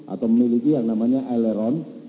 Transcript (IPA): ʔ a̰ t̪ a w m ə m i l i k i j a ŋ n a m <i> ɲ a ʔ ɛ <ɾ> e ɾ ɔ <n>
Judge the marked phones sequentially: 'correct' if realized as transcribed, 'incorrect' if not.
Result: incorrect: a, incorrect: l, correct

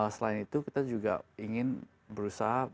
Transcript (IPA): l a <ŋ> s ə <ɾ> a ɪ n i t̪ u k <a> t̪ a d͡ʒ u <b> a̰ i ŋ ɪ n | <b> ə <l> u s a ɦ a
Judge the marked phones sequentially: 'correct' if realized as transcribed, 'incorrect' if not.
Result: incorrect: none, incorrect: l, incorrect: i, incorrect: ɡ, correct, incorrect: ɾ

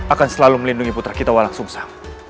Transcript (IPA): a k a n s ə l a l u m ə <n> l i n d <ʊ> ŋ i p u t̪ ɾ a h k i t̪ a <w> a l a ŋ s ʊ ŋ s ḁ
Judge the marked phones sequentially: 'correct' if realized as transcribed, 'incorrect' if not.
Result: incorrect: none, incorrect: u, correct

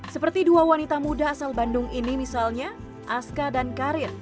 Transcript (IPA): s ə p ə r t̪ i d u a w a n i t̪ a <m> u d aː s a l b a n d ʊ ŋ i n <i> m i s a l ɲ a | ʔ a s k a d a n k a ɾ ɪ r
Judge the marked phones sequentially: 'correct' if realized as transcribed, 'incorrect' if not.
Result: correct, correct

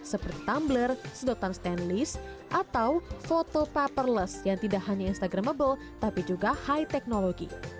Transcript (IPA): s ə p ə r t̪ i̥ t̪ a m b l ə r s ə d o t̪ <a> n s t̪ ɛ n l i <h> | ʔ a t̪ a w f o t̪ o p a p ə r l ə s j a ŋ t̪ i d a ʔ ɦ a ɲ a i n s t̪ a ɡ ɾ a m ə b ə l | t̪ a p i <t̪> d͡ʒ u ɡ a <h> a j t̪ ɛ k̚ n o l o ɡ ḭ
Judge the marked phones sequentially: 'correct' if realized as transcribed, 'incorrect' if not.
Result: correct, incorrect: s, incorrect: none, correct

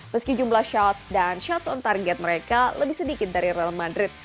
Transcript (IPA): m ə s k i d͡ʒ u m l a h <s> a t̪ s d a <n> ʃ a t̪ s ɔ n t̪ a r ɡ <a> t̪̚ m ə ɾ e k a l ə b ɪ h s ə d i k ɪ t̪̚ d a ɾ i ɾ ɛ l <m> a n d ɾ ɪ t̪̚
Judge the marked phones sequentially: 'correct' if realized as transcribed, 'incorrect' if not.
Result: incorrect: ʃ, correct, incorrect: ɛ, correct

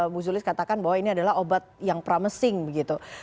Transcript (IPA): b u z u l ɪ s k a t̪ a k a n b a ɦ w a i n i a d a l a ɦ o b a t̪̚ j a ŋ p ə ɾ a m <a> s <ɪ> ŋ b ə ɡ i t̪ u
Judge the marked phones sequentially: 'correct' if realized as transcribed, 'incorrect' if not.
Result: incorrect: ə, correct

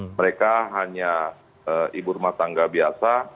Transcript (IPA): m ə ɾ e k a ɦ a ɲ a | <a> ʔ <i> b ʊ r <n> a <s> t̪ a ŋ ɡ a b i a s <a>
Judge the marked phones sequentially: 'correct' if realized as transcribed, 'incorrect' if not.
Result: incorrect: ə, correct, incorrect: m, incorrect: none, correct

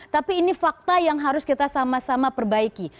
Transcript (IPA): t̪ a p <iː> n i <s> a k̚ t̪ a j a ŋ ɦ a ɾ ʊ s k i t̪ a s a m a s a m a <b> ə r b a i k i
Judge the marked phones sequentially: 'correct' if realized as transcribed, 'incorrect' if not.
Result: correct, incorrect: f, incorrect: p

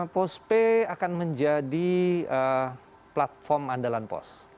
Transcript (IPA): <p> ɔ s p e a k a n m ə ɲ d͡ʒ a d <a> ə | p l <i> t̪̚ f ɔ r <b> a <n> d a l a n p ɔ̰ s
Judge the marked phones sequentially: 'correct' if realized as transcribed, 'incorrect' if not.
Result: correct, incorrect: i, incorrect: a, incorrect: m, correct

